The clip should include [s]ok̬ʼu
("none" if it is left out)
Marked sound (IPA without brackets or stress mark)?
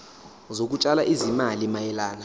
z